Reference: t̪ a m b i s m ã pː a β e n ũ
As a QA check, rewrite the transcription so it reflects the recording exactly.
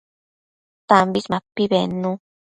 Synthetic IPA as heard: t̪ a m b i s m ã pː i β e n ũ